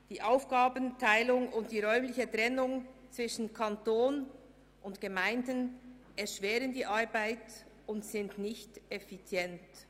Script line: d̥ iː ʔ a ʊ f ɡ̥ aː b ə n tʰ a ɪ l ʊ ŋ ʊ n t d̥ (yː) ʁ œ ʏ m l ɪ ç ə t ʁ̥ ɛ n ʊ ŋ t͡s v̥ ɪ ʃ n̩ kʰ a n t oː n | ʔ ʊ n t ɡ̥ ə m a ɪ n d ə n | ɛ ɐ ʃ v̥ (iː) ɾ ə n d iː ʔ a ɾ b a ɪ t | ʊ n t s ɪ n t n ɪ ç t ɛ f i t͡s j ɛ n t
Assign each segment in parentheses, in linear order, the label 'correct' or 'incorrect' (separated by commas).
incorrect, incorrect